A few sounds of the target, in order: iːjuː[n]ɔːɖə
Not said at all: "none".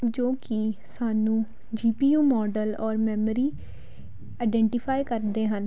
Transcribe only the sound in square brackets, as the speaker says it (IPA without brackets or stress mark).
m